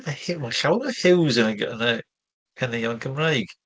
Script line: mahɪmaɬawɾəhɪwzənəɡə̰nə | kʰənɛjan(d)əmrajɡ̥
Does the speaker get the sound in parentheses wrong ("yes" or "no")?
yes